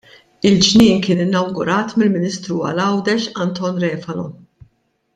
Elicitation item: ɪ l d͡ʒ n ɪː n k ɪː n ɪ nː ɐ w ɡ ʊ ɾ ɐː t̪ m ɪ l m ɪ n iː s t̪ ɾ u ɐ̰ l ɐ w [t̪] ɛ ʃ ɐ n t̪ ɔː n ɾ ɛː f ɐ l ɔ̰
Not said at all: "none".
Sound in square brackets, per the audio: d̪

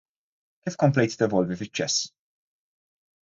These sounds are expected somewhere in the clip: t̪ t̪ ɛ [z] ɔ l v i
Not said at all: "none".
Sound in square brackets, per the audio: v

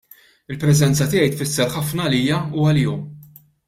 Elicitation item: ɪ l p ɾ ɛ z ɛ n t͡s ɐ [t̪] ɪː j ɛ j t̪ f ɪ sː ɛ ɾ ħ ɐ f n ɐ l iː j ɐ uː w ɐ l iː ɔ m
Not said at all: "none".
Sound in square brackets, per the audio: t̪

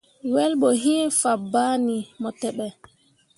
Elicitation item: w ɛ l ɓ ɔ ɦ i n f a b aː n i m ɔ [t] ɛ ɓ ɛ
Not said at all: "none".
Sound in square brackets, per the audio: t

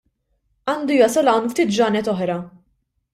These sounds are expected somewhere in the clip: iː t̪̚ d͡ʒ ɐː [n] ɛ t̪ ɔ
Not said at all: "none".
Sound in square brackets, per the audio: n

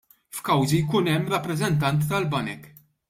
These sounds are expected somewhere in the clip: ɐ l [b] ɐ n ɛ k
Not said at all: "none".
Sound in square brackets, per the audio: b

